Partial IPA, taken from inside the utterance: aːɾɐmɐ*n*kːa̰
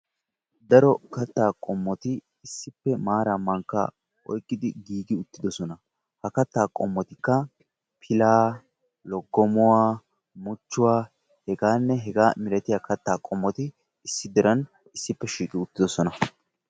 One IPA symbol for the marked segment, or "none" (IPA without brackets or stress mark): ŋ